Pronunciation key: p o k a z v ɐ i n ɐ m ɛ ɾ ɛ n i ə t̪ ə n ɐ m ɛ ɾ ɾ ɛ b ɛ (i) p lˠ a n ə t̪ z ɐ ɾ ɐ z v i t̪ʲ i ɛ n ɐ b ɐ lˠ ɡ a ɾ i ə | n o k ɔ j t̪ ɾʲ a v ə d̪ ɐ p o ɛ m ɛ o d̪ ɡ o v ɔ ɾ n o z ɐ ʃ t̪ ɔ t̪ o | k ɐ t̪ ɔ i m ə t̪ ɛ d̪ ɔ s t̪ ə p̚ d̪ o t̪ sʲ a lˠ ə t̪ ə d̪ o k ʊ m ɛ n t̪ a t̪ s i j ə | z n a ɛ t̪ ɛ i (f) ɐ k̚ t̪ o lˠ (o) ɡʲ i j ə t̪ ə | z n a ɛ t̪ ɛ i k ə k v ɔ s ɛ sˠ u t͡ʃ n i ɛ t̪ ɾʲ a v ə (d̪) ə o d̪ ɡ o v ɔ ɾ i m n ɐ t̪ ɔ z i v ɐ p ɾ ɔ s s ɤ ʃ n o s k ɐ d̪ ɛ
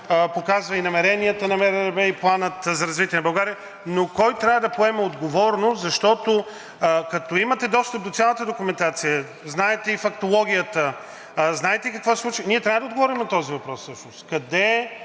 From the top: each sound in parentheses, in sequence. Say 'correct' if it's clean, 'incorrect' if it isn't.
correct, correct, incorrect: ɔ, correct

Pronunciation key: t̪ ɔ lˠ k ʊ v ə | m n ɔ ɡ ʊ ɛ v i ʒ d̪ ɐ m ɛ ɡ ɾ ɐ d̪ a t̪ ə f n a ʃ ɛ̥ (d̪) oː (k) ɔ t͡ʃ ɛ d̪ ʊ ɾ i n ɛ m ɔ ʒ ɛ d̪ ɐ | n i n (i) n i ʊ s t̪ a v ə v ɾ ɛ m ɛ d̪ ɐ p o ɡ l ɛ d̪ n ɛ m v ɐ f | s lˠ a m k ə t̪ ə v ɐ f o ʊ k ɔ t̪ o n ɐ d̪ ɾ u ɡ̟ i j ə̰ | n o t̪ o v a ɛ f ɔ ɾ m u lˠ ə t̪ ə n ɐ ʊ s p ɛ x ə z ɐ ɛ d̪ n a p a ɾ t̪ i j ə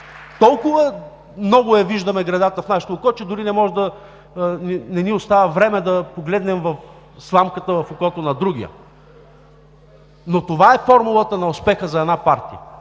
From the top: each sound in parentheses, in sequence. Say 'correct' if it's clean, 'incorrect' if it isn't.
incorrect: t̪, correct, incorrect: ɛ

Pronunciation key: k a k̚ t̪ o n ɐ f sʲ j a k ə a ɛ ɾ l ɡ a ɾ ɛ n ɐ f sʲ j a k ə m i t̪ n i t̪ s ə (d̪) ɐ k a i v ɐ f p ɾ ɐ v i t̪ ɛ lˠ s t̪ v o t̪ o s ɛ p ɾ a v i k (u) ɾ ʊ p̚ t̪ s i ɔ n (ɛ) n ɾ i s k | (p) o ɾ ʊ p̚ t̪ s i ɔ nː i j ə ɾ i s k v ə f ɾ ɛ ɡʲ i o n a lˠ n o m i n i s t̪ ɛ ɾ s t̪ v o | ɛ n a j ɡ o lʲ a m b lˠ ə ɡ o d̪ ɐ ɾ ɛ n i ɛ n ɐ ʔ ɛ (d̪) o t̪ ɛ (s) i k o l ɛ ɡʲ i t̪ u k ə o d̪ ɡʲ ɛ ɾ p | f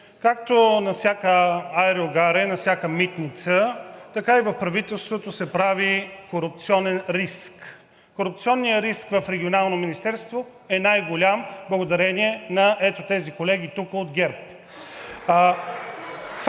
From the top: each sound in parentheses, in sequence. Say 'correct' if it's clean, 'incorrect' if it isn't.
incorrect: t̪, incorrect: o, correct, incorrect: k, incorrect: t̪, incorrect: z

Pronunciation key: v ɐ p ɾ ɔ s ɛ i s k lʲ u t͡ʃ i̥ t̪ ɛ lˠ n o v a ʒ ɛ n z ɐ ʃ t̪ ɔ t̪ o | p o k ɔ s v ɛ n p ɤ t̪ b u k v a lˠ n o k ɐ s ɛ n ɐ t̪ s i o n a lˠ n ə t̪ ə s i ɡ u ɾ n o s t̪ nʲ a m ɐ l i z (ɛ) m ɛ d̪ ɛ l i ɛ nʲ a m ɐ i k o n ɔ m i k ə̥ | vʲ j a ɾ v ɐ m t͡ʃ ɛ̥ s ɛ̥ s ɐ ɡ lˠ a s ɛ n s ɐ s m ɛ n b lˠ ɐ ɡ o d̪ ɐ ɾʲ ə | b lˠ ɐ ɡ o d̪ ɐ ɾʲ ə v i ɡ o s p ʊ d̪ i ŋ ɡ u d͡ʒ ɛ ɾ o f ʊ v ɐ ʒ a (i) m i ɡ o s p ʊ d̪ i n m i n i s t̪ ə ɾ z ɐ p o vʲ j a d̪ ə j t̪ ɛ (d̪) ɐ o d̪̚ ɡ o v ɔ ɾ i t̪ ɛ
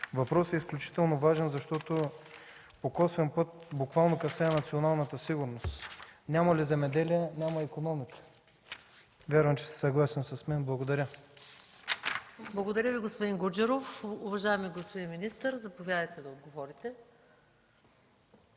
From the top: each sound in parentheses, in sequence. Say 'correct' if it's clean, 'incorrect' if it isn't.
correct, incorrect: ɛ, correct

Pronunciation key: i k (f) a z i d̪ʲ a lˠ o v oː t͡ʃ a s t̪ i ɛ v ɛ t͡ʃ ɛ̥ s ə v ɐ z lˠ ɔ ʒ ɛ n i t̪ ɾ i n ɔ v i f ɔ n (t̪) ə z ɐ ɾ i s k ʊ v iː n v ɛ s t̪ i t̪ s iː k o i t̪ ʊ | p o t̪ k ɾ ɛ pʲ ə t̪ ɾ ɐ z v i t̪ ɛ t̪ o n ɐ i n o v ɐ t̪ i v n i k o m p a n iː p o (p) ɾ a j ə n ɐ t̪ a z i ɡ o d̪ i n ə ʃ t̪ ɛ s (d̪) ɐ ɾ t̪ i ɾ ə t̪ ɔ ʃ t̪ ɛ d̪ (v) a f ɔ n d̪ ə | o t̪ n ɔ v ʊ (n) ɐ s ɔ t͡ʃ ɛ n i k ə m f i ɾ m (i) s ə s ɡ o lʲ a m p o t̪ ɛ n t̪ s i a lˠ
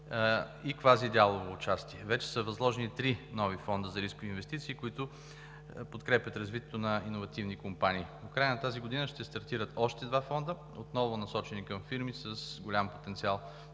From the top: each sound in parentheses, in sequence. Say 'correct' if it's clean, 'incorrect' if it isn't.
incorrect: v, incorrect: d̪, incorrect: k, incorrect: t̪, correct, correct, correct

